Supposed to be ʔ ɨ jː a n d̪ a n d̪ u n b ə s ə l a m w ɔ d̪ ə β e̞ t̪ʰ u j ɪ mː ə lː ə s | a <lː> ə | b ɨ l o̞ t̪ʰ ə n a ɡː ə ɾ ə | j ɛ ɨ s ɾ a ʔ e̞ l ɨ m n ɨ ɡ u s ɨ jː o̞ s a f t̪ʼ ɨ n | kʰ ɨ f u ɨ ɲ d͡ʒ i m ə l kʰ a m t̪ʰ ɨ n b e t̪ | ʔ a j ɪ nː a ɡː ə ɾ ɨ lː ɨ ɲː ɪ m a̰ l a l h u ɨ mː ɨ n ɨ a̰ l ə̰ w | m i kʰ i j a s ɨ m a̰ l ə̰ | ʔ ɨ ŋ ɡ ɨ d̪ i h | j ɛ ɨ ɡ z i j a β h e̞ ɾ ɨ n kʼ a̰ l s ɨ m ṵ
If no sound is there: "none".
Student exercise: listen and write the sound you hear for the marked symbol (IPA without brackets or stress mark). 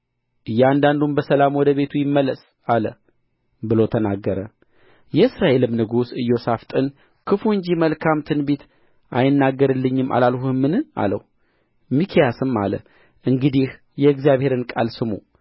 l